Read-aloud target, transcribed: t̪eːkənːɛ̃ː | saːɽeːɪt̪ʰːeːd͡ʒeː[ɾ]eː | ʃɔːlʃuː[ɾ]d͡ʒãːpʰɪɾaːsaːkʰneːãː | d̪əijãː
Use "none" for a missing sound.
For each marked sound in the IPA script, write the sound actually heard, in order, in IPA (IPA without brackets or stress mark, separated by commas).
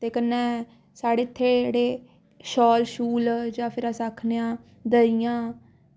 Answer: ɽ, l